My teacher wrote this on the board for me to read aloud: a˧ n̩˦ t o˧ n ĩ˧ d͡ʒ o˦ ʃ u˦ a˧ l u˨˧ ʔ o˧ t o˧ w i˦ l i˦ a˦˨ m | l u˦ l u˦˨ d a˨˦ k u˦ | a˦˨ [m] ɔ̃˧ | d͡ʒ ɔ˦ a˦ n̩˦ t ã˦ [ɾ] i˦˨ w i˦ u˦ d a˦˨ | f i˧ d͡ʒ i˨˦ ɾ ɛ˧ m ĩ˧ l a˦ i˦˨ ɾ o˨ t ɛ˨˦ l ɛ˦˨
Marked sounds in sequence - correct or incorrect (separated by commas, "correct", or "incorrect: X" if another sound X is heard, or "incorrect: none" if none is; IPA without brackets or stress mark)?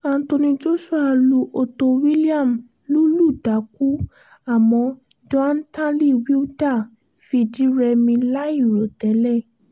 correct, incorrect: l